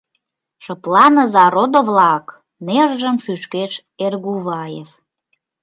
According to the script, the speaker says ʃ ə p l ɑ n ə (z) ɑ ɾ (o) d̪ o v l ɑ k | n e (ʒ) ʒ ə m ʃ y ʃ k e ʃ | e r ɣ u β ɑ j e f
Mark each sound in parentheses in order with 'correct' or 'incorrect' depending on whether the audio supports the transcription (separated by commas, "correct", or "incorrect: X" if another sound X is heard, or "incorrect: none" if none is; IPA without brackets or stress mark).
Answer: correct, correct, correct